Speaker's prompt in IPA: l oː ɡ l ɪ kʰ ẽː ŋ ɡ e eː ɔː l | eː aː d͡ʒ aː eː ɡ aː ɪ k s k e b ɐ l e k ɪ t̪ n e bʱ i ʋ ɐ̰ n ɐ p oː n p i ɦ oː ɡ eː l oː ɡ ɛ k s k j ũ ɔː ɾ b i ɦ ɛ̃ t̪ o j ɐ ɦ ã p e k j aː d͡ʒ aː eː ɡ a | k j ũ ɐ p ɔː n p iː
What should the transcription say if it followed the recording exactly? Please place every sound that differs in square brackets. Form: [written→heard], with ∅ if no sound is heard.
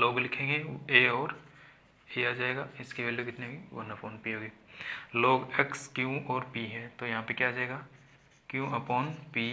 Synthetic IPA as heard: l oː ɡ l ɪ kʰ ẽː ŋ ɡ e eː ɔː [l→ɾ] | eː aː d͡ʒ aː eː ɡ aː ɪ [k→∅] s k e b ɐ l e k ɪ t̪ n e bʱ i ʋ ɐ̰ n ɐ p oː n p i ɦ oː ɡ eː l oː ɡ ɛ k s k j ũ ɔː ɾ [b→p] i ɦ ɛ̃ t̪ o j ɐ ɦ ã p e k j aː d͡ʒ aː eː ɡ a | k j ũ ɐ p ɔː n p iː